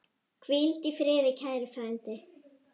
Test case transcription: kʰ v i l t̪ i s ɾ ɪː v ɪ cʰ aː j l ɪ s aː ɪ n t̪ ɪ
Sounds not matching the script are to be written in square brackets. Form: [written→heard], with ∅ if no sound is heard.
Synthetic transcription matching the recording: kʰ v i l t̪ i [s→f] ɾ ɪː [v→ð] ɪ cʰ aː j [l→ɾ] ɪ [s→f] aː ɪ n t̪ ɪ